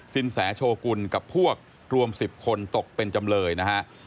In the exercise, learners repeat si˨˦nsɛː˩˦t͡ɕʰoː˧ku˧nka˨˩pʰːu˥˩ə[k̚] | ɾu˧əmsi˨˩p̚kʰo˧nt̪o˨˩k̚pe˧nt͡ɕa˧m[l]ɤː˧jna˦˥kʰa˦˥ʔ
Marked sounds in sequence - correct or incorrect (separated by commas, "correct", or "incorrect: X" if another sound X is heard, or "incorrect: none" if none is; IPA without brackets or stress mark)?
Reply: correct, correct